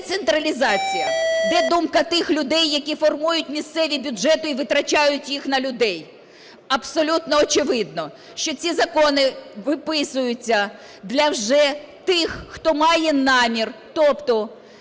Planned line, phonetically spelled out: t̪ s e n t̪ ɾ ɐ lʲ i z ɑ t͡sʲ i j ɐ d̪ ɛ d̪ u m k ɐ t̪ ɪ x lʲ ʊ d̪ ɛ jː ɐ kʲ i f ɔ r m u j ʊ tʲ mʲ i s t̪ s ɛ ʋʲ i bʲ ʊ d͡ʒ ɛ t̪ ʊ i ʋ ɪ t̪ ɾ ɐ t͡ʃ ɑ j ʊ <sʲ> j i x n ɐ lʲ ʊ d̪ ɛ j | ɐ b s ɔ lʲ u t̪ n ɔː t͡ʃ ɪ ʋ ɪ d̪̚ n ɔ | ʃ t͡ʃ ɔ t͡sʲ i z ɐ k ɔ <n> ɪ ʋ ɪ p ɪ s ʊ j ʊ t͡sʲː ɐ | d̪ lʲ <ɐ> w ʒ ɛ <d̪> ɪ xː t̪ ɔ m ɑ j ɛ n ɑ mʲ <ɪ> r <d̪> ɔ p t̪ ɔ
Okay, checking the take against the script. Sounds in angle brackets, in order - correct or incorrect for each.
incorrect: tʲ, correct, correct, incorrect: t̪, incorrect: i, incorrect: t̪

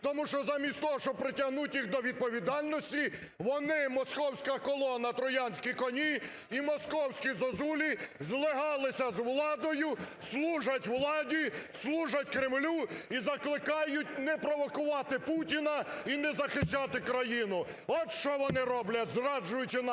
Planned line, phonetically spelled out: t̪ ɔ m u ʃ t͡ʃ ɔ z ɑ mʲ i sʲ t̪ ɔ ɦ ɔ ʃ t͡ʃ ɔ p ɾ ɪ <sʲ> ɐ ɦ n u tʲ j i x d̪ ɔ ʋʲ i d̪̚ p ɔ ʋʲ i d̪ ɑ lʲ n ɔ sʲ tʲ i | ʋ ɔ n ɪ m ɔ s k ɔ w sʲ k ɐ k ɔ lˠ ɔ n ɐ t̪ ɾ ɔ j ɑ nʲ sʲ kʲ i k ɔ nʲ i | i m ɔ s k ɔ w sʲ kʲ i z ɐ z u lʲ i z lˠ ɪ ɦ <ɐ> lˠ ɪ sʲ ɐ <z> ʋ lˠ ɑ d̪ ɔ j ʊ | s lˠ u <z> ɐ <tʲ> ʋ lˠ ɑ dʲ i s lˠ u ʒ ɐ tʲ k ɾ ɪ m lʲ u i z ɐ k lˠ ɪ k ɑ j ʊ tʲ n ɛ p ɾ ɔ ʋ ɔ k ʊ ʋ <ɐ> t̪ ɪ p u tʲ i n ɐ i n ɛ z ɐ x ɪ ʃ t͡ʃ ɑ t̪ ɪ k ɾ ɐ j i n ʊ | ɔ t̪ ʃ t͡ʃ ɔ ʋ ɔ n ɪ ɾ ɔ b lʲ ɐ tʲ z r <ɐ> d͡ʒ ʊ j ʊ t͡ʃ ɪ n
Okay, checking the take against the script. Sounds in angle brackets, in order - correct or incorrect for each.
incorrect: tʲ, incorrect: ɑ, correct, incorrect: ʒ, correct, incorrect: ɑ, incorrect: ɑ

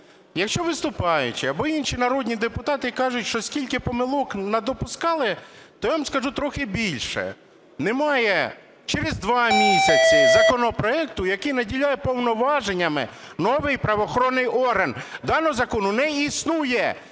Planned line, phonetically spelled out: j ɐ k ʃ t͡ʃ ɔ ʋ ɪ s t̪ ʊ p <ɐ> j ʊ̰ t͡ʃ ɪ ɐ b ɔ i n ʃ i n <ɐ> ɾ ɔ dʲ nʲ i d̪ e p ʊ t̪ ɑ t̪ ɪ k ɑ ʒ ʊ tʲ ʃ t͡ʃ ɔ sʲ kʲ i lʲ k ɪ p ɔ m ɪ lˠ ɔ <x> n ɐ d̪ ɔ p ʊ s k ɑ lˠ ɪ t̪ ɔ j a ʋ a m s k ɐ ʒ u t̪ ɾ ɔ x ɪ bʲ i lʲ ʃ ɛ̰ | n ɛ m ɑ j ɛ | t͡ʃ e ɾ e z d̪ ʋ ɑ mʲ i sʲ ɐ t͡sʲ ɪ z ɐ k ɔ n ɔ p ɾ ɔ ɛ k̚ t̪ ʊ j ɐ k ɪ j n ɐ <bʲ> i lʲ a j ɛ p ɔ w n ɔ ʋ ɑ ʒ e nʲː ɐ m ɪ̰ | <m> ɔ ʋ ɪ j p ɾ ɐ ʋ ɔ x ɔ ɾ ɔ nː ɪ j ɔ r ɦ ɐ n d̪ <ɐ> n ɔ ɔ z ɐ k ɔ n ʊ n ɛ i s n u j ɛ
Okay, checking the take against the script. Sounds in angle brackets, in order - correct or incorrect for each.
incorrect: ɑ, correct, incorrect: k, incorrect: dʲ, incorrect: n, incorrect: ɑ

